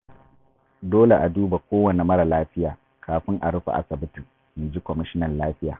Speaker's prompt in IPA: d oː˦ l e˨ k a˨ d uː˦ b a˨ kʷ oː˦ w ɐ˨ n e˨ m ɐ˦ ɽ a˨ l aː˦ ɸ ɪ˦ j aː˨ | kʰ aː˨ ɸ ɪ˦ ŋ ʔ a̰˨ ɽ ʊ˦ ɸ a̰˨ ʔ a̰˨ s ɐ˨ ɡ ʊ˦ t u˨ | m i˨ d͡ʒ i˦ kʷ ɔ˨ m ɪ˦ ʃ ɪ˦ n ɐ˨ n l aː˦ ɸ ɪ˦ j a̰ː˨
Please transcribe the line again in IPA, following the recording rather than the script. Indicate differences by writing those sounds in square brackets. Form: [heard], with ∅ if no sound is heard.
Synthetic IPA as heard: d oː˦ l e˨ [ʔ] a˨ d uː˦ b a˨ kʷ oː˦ w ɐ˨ n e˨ m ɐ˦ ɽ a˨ l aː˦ ɸ ɪ˦ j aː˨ | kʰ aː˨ ɸ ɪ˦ ŋ ʔ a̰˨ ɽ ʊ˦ ɸ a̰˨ ʔ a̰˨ s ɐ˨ [b] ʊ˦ t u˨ | m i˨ d͡ʒ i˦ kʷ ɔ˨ m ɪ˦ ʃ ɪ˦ n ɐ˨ n l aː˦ ɸ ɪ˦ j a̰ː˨